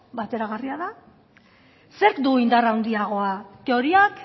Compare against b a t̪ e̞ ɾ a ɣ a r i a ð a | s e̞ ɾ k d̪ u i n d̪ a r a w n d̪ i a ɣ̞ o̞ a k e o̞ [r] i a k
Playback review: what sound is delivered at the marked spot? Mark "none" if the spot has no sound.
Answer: ɾ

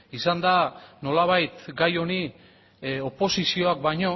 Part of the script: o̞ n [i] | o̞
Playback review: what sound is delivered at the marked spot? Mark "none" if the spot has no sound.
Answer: i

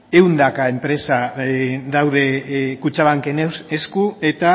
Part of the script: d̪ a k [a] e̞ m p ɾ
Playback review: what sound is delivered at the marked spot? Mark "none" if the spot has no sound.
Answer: a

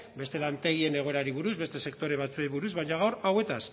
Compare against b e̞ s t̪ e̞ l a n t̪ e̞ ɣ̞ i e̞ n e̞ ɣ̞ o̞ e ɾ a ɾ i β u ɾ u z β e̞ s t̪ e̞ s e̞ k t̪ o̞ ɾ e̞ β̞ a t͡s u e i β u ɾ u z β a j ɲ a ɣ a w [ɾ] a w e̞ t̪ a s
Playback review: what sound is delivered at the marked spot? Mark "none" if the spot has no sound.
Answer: ɾ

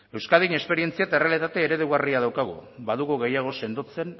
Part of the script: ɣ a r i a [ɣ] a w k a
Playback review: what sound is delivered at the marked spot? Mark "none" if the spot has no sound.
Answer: ð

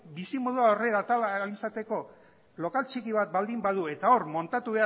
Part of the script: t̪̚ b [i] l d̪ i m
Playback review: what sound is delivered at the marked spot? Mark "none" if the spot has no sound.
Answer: a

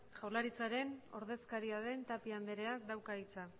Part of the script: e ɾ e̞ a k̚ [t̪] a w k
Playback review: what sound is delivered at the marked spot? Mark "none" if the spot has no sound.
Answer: d̪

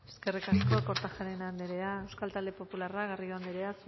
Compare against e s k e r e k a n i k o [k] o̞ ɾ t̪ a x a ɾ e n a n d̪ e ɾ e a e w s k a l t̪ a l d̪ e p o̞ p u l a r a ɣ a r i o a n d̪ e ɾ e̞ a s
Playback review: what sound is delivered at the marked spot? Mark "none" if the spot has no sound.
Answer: k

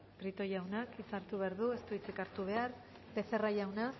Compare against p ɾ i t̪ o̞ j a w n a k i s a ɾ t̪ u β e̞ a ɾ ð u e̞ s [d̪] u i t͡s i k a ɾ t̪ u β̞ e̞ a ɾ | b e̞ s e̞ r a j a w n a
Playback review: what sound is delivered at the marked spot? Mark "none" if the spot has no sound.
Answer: t̪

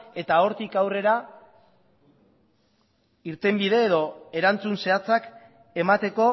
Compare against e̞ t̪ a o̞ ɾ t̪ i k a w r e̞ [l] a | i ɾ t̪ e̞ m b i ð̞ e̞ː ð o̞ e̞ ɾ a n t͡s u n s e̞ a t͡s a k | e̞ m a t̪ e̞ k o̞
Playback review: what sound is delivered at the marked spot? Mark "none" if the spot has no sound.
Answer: ɾ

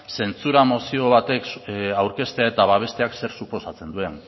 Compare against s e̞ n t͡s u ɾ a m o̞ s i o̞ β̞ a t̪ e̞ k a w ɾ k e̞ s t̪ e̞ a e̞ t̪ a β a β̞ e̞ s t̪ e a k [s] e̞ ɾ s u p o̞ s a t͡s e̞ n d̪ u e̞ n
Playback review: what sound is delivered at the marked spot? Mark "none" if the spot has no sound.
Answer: s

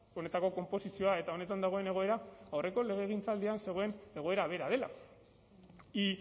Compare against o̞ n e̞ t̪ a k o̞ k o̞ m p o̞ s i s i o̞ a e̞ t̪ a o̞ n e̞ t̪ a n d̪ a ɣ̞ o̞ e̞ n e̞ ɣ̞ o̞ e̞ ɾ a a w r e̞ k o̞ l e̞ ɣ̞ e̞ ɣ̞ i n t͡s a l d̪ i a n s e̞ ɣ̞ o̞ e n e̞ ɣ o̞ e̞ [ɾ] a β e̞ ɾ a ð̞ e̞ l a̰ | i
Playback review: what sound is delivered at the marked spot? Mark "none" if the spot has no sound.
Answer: ɾ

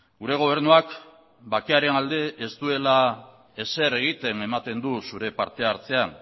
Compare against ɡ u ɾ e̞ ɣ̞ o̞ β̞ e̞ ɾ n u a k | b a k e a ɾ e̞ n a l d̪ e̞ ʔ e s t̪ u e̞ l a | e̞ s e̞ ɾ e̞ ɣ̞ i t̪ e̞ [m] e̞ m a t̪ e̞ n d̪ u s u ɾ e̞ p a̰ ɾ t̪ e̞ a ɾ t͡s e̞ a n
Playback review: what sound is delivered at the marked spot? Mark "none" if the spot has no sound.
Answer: n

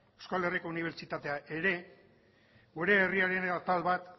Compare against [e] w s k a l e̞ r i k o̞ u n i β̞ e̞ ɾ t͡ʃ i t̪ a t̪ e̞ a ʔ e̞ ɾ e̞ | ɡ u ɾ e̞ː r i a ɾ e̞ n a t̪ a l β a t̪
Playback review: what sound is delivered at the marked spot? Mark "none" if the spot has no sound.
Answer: e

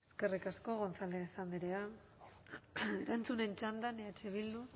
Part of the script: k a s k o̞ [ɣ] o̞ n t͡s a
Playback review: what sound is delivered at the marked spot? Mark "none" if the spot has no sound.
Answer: ɣ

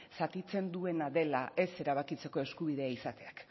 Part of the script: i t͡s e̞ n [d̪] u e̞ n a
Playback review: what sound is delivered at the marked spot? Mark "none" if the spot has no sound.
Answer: d̪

